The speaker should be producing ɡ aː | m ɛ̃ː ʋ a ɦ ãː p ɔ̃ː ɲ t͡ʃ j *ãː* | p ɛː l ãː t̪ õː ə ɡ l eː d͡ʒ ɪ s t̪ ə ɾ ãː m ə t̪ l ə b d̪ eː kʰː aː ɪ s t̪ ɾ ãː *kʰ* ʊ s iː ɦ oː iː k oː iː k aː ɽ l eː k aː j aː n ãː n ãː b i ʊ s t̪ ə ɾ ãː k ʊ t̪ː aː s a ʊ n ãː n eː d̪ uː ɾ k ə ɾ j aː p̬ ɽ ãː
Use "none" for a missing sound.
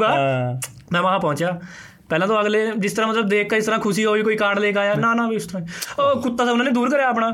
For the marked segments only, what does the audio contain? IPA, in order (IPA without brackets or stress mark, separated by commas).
aː, kʰ